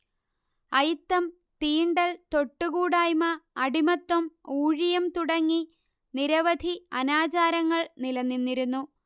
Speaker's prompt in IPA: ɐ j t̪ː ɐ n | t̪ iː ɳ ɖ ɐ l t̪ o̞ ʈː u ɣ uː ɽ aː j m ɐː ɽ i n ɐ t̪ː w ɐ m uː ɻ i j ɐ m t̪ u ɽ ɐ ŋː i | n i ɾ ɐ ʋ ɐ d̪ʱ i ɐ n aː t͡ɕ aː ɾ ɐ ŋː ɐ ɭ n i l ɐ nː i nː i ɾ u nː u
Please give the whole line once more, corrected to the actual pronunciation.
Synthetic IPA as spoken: ɐ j t̪ː ɐ m | t̪ iː ɳ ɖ ɐ l t̪ o̞ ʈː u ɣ uː ɽ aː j m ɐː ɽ i m ɐ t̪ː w ɐ m uː ɻ i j ɐ m t̪ u ɽ ɐ ŋː i | n i ɾ ɐ ʋ ɐ d̪ʱ i ɐ n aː t͡ɕ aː ɾ ɐ ŋː ɐ ɭ n i l ɐ nː i nː i ɾ u nː u